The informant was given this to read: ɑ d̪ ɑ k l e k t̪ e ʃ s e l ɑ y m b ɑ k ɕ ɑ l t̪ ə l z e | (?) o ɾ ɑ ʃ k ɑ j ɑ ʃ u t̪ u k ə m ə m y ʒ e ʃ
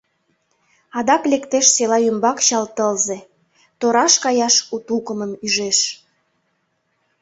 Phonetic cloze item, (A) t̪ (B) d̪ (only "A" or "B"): A